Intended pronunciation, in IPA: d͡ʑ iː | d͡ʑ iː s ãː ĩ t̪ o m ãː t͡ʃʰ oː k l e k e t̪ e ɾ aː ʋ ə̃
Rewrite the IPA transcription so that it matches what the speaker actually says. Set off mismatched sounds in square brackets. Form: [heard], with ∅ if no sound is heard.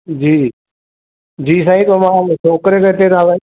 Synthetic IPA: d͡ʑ iː | d͡ʑ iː s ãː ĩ t̪ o m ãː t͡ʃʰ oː k [ɾ] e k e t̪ e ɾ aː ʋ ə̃